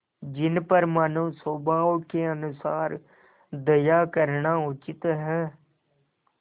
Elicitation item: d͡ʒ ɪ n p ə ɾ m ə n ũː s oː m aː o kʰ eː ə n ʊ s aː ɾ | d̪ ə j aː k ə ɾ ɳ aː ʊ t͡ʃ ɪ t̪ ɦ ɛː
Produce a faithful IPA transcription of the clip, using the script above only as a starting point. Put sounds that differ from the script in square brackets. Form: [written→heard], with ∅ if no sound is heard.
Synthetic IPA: d͡ʒ ɪ n p ə ɾ m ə n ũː s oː [m→b] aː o [kʰ→k] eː ə n ʊ s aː ɾ | d̪ ə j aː k ə ɾ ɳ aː ʊ t͡ʃ ɪ t̪ ɦ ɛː